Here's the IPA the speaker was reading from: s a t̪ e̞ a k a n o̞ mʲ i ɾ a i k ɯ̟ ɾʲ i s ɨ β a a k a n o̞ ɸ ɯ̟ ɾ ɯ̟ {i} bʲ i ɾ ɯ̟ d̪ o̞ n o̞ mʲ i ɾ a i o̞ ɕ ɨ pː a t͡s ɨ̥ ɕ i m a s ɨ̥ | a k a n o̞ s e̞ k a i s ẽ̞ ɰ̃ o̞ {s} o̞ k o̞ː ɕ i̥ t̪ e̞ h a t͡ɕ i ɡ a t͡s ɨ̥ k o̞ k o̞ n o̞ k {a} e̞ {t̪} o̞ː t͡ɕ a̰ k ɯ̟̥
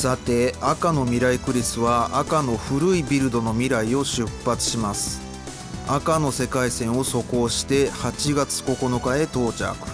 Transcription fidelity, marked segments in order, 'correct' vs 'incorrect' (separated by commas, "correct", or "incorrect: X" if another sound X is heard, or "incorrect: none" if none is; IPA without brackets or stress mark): correct, correct, correct, correct